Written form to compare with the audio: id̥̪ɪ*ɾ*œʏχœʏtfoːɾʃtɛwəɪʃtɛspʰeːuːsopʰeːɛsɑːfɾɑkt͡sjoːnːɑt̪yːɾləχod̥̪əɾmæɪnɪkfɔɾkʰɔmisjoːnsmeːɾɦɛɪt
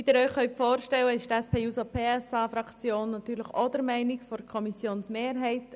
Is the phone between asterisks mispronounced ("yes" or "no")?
no